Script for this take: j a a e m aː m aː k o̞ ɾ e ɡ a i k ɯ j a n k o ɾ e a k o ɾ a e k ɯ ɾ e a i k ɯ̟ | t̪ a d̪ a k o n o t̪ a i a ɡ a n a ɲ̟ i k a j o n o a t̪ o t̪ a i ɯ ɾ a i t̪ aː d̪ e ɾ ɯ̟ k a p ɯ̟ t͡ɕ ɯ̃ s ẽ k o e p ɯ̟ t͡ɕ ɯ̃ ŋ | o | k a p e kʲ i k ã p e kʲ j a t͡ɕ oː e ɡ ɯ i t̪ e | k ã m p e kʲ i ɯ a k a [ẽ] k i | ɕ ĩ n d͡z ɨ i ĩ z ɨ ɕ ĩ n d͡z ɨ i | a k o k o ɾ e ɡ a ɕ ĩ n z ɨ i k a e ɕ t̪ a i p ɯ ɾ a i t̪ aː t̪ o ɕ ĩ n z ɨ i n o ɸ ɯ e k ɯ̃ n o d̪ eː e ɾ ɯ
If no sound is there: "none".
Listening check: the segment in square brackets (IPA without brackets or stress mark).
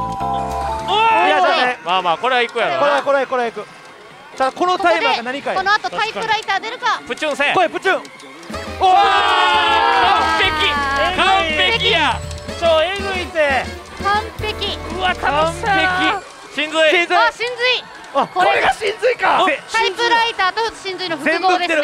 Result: e